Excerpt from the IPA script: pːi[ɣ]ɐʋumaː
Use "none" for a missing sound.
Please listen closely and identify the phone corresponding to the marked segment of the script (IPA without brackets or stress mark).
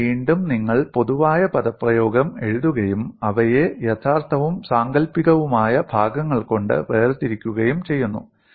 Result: ɣ